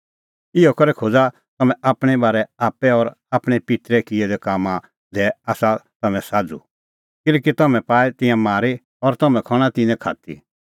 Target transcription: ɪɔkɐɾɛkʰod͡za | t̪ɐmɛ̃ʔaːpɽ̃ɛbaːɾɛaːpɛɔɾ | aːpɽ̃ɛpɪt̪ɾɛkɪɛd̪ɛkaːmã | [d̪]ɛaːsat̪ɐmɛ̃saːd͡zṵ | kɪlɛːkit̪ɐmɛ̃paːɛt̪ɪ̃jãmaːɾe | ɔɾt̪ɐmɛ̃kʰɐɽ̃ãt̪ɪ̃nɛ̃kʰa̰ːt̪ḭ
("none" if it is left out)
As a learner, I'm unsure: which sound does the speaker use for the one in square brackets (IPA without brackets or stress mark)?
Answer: d̪